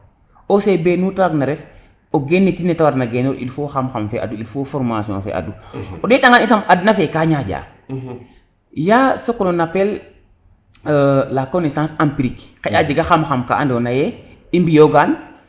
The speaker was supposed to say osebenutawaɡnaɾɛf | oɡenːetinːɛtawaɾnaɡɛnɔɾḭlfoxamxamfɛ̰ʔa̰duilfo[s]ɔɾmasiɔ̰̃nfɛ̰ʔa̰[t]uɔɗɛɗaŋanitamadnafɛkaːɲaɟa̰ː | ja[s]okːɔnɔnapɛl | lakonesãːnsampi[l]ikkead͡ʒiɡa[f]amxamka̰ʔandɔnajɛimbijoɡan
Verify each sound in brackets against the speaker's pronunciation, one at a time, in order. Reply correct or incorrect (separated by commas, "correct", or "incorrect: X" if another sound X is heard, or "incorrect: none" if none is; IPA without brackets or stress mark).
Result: incorrect: f, incorrect: d, correct, incorrect: ɾ, incorrect: x